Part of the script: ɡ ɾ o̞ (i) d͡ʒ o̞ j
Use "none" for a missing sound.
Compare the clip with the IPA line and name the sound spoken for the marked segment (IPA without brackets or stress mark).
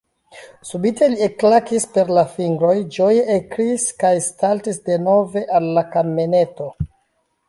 j